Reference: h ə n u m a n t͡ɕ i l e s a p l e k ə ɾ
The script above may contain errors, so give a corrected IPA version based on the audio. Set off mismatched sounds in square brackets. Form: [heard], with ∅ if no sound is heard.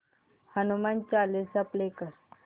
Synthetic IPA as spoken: h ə n u m a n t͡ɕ [a] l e s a p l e k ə ɾ